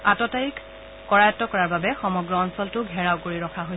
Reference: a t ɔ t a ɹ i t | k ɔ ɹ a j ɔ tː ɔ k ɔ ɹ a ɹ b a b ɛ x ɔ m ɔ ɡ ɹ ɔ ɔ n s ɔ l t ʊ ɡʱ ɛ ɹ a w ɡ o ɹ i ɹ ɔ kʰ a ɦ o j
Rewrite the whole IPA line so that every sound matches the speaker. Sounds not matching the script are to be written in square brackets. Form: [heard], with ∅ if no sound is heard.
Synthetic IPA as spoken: a t ɔ t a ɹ i [k] | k ɔ ɹ a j ɔ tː ɔ k ɔ ɹ a ɹ b a b ɛ x ɔ m ɔ ɡ ɹ ɔ ɔ n s ɔ l t ʊ ɡʱ ɛ ɹ a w [k] o ɹ i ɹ ɔ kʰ a ɦ o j